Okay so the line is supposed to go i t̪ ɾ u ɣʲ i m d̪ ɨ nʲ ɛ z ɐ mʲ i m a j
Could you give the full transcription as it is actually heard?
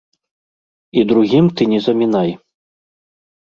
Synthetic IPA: i d̪ ɾ u ɣʲ i m t̪ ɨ nʲ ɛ z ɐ mʲ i n a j